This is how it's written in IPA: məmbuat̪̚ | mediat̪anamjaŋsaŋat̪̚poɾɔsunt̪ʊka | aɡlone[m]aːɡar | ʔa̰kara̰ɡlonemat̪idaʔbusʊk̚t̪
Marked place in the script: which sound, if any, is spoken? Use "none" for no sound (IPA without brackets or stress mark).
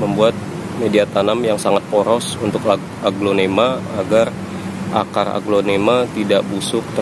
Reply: m